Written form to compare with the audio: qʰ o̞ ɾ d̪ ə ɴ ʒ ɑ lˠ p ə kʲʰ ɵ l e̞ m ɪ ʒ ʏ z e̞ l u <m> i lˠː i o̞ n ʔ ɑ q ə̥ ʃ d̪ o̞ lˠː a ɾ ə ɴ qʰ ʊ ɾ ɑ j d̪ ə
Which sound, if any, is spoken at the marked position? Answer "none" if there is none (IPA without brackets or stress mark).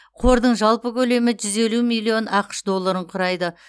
m